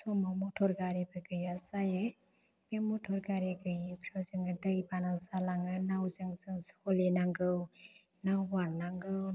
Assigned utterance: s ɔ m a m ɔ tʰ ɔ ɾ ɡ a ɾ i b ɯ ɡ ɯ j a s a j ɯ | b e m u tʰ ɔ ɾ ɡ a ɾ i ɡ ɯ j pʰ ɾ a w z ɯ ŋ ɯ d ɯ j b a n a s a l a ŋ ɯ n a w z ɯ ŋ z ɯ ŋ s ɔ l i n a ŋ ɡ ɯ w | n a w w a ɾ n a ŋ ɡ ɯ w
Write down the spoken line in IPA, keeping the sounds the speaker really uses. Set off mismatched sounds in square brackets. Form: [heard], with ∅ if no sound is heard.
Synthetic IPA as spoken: s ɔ m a m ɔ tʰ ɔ ɾ ɡ a ɾ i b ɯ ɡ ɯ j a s a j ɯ | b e m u tʰ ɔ ɾ ɡ a ɾ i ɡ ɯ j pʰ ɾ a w z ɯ ŋ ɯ d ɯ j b a n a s a l a ŋ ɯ n a w z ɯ ŋ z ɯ ŋ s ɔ l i n a ŋ ɡ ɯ w | n a w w a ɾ n a ŋ ɡ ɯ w